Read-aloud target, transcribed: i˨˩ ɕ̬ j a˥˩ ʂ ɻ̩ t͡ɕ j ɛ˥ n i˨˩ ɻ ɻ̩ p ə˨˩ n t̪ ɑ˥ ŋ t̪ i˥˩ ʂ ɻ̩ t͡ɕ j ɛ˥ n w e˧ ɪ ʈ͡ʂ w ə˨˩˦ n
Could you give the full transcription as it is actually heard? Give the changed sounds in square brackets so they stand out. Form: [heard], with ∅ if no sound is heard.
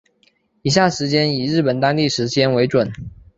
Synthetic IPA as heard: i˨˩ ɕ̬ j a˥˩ ʂ ɻ̩ t͡ɕ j ɛ˥ n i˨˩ ɻ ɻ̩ p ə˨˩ n t̪ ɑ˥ ŋ t̪ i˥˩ ʂ ɻ̩ t͡ɕ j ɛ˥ n w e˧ ɪ ʈ͡ʂ w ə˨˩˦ n

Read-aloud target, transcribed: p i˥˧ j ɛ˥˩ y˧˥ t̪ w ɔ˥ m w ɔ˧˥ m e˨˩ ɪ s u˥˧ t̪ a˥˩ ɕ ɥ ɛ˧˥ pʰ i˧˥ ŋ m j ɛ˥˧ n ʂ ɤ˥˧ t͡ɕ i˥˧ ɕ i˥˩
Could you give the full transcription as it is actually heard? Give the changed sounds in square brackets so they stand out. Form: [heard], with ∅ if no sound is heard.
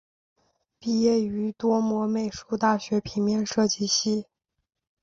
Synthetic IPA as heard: p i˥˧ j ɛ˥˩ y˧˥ t̪ w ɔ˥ m w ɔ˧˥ m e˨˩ ɪ [ʂ] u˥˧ t̪ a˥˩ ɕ ɥ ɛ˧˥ pʰ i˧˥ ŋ m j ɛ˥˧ n ʂ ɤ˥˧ t͡ɕ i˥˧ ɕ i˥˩

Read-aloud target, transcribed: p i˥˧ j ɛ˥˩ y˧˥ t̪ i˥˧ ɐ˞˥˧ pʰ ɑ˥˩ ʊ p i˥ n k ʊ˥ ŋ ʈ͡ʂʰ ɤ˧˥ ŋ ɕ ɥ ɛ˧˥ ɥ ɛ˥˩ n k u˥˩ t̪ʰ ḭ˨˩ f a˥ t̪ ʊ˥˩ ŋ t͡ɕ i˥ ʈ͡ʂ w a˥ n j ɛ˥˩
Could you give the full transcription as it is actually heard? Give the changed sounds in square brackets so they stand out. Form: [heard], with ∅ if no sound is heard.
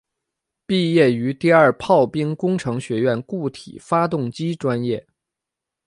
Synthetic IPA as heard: p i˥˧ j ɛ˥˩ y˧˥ t̪ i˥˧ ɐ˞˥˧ pʰ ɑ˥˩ ʊ p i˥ [ŋ] k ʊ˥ ŋ ʈ͡ʂʰ ɤ˧˥ ŋ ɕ ɥ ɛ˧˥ ɥ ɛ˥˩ n k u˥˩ t̪ʰ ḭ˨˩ f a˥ t̪ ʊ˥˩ ŋ t͡ɕ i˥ ʈ͡ʂ w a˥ n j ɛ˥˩

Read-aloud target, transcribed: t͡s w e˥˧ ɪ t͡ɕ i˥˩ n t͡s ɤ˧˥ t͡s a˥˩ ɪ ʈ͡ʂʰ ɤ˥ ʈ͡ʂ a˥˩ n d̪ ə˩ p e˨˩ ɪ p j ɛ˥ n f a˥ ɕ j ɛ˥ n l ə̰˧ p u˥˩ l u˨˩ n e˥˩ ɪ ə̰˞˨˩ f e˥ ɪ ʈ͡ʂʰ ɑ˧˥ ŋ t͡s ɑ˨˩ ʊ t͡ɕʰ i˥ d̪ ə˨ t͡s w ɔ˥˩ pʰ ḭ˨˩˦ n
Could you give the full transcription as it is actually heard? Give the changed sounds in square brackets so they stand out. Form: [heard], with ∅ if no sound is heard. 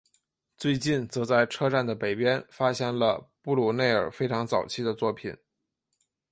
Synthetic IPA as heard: t͡s w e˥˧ ɪ t͡ɕ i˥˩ n t͡s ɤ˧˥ t͡s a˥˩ ɪ ʈ͡ʂʰ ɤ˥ ʈ͡ʂ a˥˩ n d̪ ə˩ p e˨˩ ɪ p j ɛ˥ n f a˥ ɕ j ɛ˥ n l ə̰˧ p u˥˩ l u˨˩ n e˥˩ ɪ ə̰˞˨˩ f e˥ ɪ ʈ͡ʂʰ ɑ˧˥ ŋ t͡s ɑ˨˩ ʊ t͡ɕʰ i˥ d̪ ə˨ t͡s w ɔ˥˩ pʰ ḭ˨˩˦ n

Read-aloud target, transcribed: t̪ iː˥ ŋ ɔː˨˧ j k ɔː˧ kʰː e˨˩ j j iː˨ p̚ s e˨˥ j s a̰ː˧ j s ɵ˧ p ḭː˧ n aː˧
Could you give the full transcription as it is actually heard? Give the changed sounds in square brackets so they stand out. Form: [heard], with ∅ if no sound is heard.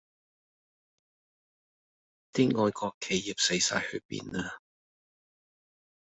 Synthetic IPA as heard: t̪ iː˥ ŋ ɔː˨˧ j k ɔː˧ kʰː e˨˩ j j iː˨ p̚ s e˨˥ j s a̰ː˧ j [h] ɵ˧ p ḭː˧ n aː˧

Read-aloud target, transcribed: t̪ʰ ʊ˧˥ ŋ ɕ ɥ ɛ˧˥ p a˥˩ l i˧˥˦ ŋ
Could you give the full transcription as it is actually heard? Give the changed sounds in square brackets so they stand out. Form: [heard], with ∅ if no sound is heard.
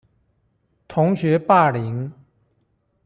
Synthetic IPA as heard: t̪ʰ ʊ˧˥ ŋ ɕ ɥ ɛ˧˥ p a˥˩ l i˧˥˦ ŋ

